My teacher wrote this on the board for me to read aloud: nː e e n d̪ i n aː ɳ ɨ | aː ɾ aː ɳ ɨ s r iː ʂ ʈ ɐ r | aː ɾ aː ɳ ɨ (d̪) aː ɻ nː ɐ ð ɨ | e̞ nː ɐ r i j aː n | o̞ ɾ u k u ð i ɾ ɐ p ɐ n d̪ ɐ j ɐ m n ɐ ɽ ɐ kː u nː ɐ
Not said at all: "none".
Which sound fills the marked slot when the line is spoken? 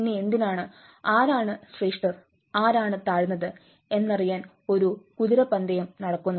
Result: t̪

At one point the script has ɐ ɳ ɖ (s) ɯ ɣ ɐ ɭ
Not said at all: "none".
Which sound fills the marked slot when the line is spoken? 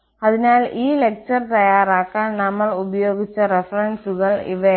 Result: s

